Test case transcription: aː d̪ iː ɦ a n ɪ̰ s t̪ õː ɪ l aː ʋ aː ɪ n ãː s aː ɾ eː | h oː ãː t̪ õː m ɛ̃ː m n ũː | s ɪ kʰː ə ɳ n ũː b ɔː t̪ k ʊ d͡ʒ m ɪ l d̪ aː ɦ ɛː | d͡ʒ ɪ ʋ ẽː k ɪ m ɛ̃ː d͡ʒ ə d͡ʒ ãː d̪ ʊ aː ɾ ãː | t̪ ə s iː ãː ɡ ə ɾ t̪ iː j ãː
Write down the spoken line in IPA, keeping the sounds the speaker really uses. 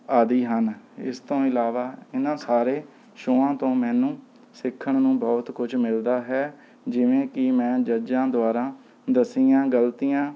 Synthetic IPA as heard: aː d̪ iː ɦ ə n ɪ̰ s t̪ õː ɪ l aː ʋ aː ɪ n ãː s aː ɾ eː | ʃ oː ãː t̪ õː m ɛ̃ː n ũː | s ɪ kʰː ə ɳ n ũː b ɔː t̪ k ʊ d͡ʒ m ɪ l d̪ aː ɦ ɛː | d͡ʒ ɪ ʋ ẽː k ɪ m ɛ̃ː d͡ʒ ə d͡ʒ ãː d̪ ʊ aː ɾ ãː | d̪ ə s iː ãː ɡ ə l t̪ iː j ãː